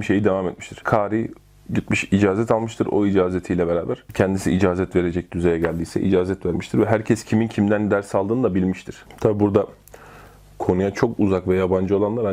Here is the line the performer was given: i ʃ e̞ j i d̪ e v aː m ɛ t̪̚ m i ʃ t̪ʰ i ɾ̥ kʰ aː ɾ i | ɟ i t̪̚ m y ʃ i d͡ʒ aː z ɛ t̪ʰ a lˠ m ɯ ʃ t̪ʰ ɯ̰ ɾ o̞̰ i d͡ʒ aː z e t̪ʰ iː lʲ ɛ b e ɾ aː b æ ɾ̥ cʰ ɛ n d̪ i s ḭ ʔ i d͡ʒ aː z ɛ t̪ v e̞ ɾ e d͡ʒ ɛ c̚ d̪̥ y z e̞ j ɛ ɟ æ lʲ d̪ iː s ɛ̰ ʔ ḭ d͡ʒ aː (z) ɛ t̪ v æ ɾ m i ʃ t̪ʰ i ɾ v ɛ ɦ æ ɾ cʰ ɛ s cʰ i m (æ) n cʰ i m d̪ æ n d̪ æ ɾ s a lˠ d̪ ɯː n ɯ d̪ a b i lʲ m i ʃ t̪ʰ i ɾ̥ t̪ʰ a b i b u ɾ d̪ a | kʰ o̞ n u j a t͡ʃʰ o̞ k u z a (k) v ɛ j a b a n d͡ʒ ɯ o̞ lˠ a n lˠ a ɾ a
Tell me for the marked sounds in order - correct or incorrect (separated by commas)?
correct, incorrect, correct